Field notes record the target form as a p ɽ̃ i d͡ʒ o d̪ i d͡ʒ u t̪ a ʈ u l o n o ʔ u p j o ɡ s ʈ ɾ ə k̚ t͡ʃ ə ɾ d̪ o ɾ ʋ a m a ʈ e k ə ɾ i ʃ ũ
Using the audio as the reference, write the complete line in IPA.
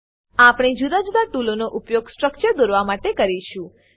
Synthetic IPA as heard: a p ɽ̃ i d͡ʒ u d̪ a d͡ʒ u d̪ a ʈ u l o n o ʔ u p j o ɡ s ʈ ɾ ə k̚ t͡ʃ ə ɾ d̪ o ɾ ʋ a m a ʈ e k ə ɾ i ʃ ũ